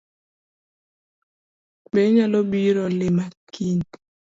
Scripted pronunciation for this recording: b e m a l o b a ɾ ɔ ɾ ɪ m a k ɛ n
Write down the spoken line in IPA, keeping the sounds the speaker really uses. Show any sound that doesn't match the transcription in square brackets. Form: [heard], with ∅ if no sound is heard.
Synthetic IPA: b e [ɲ] a l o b [i] ɾ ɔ [l] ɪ m a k [i] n